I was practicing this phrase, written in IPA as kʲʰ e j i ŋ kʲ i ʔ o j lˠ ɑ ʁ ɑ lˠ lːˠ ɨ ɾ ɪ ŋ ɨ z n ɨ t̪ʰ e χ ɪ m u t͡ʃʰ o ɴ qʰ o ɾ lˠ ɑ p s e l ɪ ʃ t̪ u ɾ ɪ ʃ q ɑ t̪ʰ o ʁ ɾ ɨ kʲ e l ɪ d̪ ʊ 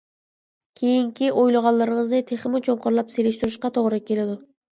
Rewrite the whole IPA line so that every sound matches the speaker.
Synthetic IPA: kʲʰ e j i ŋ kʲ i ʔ o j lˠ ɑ ʁ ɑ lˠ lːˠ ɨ ɾ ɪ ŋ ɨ z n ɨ t̪ʰ e χ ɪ m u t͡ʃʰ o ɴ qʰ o ɾ lˠ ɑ p s e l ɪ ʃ t̪ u ɾ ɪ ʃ q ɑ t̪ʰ o ʁ ɾ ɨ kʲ e l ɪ d̪ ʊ